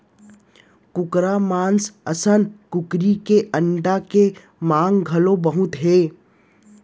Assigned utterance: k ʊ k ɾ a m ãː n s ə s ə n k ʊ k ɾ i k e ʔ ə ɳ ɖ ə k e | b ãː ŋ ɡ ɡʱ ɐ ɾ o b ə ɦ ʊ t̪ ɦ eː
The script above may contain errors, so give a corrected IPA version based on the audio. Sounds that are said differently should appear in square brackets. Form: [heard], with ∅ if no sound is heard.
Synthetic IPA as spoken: k ʊ k ɾ a m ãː n s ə s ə n k ʊ k ɾ i k e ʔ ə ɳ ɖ [a] k e | [m] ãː ŋ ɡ ɡʱ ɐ [l] o b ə ɦ ʊ t̪ ɦ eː